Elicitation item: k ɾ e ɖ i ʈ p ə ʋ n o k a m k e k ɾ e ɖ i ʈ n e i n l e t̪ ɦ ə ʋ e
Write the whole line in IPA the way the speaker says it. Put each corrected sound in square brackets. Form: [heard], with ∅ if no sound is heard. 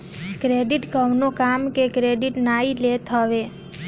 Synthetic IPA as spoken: k ɾ e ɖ i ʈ [k] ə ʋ n o k a m k e k ɾ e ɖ i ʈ n [a] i [∅] l e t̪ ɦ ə ʋ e